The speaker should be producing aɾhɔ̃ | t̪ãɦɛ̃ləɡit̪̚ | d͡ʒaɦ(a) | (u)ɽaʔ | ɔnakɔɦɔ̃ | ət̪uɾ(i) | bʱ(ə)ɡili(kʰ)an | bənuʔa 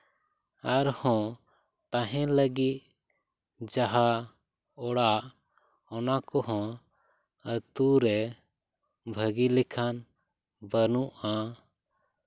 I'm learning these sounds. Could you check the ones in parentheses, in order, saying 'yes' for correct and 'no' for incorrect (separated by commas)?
yes, no, no, yes, yes